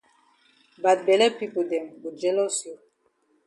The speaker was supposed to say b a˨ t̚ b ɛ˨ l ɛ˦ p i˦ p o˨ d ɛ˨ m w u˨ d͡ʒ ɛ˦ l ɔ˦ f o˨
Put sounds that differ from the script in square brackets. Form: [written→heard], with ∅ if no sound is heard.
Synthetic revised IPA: b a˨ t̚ b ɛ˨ l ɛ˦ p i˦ p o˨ d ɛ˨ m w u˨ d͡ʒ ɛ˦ l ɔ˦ [f→s] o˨